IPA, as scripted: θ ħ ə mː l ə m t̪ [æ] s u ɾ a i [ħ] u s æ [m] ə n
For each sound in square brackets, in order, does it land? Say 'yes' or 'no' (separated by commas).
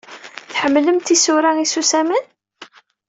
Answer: no, no, yes